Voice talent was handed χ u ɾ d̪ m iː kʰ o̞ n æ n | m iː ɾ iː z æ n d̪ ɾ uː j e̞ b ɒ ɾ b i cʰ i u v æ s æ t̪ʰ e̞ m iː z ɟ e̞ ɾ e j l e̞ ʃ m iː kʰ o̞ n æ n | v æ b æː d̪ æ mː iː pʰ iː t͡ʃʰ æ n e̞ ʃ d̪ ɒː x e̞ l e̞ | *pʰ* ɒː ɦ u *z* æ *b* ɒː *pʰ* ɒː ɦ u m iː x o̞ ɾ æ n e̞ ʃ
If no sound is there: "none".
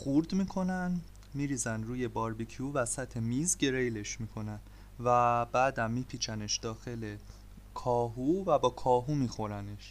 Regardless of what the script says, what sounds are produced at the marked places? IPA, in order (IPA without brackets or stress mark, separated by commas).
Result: kʰ, v, b, kʰ